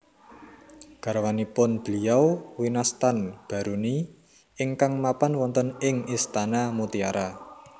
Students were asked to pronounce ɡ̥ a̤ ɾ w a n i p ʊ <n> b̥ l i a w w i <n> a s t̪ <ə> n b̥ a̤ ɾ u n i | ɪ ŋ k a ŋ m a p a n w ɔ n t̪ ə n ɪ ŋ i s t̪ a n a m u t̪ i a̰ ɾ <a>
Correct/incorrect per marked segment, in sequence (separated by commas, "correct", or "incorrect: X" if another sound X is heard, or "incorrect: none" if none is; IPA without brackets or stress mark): correct, correct, incorrect: a, correct